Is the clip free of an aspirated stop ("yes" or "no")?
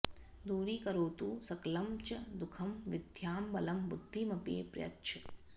no